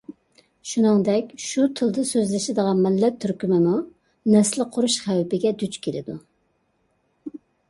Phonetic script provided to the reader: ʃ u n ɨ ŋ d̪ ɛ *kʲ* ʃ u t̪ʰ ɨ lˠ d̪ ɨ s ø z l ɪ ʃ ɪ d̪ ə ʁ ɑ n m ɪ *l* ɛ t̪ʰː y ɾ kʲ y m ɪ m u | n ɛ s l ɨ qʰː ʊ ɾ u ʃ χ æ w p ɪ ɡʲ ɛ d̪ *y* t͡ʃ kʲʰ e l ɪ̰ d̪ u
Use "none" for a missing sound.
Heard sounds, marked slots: kʲ, lː, y

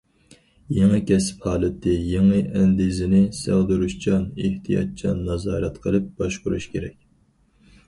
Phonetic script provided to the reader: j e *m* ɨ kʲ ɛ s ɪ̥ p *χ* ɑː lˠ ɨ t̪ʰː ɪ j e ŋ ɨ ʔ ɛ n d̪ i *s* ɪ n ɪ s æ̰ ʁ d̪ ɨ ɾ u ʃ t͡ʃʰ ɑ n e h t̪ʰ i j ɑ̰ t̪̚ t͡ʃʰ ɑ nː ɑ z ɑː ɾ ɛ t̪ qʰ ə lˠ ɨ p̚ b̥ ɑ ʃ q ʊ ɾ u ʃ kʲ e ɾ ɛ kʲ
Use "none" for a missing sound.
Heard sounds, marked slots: ŋ, h, z

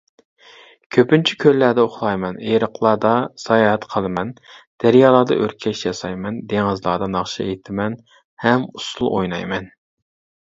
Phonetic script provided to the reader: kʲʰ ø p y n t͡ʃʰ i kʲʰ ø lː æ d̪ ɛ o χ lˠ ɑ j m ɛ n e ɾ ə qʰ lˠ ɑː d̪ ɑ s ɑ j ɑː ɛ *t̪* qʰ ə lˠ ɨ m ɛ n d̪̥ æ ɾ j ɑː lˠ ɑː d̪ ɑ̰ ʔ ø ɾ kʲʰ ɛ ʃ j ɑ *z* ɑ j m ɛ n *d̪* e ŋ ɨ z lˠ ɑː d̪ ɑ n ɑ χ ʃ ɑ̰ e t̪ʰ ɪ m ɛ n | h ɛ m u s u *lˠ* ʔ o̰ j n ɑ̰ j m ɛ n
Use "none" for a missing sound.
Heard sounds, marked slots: t̪, s, d̪, lˠ

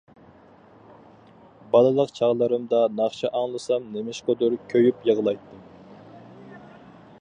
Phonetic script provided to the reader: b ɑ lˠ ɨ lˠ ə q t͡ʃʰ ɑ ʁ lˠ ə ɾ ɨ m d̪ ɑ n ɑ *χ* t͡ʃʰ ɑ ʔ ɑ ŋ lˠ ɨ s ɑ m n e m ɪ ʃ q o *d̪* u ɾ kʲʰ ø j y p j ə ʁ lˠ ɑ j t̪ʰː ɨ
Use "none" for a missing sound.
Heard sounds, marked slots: χ, d̪

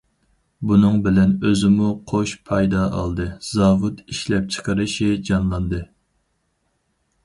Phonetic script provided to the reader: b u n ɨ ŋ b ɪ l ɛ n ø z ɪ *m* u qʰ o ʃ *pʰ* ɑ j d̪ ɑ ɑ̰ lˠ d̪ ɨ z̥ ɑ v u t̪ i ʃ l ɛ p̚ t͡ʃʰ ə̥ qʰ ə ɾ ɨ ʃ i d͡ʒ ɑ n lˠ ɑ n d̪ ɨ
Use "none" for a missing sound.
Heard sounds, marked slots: m, pʰ

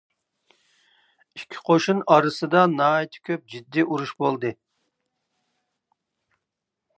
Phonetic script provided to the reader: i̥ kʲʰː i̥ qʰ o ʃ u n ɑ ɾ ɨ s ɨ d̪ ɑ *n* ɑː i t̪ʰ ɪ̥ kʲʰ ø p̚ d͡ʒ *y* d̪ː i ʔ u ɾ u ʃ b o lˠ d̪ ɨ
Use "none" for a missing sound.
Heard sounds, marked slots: n, i

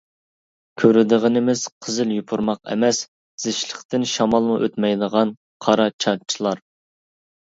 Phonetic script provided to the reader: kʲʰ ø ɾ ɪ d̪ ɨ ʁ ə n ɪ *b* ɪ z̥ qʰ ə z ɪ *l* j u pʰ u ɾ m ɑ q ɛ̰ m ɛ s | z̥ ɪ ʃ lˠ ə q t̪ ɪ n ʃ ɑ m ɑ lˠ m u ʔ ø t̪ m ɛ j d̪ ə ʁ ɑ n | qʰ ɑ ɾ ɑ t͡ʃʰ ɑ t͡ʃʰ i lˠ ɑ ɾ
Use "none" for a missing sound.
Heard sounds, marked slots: m, l

